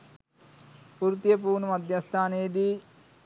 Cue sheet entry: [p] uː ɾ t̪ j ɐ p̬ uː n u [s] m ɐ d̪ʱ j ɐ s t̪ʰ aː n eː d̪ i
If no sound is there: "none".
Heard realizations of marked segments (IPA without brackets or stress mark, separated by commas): p, none